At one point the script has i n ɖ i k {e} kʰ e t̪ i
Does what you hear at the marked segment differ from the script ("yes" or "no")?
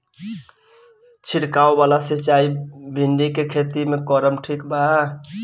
no